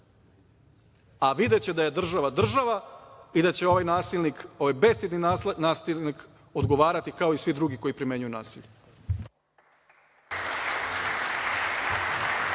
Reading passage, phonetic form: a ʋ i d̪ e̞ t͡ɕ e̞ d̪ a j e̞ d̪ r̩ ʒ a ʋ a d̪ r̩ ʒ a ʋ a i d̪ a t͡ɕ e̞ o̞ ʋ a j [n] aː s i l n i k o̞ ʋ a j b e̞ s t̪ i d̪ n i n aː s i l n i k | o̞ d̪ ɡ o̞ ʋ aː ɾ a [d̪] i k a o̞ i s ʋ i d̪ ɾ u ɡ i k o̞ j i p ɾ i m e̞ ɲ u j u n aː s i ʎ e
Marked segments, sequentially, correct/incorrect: correct, incorrect: t̪

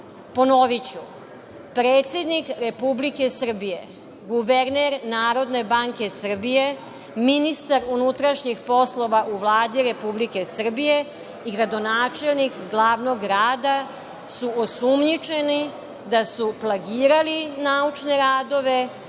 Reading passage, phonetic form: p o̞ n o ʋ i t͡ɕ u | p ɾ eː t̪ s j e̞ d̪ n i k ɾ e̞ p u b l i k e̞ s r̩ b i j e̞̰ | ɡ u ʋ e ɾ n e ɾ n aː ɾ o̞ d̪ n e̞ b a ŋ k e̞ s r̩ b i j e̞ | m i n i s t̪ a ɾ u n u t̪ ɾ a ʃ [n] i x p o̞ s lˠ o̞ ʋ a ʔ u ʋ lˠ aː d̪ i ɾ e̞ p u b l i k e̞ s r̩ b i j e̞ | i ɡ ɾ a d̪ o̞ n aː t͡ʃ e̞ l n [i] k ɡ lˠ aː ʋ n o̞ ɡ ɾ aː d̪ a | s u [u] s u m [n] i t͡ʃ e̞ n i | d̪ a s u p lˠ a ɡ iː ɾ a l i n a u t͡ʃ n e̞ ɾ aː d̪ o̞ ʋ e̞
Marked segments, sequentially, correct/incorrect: incorrect: ɲ, correct, incorrect: o, incorrect: ɲ

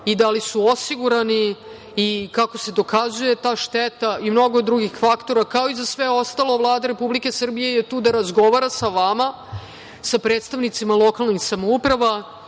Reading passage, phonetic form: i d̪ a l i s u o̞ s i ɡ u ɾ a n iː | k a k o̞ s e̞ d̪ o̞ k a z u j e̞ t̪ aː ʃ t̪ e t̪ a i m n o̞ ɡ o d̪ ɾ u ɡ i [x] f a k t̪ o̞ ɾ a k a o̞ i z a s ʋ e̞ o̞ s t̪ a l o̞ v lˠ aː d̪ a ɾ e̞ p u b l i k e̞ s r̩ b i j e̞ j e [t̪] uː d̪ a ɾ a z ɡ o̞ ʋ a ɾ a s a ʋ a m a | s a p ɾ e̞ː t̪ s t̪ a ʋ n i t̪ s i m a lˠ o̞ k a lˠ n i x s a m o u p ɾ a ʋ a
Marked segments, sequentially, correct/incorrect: correct, correct

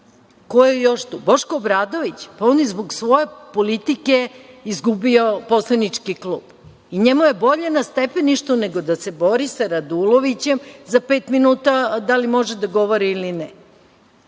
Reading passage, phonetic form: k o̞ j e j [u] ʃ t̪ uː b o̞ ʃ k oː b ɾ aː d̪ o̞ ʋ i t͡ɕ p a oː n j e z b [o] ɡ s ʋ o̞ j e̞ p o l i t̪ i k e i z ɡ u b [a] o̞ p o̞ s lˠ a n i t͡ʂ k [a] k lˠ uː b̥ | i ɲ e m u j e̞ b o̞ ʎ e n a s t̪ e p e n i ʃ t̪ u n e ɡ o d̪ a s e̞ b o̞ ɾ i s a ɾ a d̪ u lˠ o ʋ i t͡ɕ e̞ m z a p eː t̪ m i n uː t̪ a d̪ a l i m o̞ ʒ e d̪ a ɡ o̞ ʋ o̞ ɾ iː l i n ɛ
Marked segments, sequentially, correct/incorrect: incorrect: o, correct, incorrect: i, incorrect: i

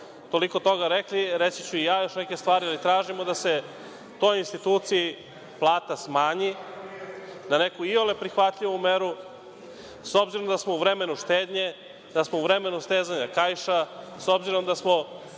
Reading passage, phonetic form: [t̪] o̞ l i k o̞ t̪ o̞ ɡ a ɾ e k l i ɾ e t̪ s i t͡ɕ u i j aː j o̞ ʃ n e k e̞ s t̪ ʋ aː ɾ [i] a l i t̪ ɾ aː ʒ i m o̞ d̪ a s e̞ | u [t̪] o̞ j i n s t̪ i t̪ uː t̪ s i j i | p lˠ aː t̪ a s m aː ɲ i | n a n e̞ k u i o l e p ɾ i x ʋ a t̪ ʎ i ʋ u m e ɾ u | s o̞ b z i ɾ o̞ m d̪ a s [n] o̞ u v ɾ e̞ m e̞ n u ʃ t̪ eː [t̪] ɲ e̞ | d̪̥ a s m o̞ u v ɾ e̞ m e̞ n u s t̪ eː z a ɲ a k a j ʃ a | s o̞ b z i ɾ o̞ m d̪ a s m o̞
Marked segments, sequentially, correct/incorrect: correct, correct, correct, incorrect: m, incorrect: d̪

